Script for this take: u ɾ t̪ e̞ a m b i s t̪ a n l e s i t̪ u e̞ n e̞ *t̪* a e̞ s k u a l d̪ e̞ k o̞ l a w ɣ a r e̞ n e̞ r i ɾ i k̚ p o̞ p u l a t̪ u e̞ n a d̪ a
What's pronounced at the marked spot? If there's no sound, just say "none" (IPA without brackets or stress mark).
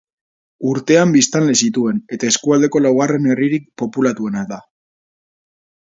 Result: t̪